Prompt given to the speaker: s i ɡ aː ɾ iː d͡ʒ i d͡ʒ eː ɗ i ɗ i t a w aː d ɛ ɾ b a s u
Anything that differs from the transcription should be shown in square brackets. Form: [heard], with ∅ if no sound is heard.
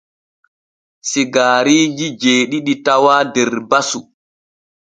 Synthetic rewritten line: s i ɡ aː ɾ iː d͡ʒ i d͡ʒ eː ɗ i ɗ i t a w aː d ɛ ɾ b a s u